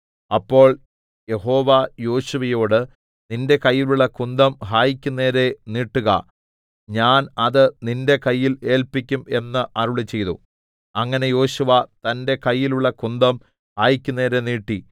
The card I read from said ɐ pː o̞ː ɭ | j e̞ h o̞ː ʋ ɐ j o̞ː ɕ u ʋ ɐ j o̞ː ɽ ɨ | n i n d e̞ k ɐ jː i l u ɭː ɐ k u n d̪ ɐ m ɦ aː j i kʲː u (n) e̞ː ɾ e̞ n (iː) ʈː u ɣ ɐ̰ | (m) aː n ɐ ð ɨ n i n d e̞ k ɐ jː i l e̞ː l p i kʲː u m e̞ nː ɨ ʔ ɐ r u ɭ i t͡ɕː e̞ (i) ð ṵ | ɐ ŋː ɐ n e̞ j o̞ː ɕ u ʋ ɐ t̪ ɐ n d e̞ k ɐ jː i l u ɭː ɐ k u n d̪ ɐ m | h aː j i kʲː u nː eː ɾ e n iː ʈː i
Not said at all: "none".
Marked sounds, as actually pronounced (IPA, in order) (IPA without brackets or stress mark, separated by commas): nː, iː, ɲ, j